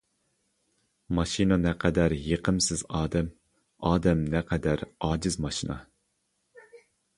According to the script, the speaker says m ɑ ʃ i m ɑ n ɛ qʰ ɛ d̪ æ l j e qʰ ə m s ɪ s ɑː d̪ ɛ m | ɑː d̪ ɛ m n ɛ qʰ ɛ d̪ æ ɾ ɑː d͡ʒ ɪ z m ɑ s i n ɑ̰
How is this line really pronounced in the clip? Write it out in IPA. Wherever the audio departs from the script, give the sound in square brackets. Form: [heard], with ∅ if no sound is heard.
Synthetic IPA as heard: m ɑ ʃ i [n] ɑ n ɛ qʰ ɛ d̪ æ [ɾ] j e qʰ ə m s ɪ [z] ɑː d̪ ɛ m | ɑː d̪ ɛ m n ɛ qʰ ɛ d̪ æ ɾ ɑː d͡ʒ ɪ z m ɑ [ʃ] i n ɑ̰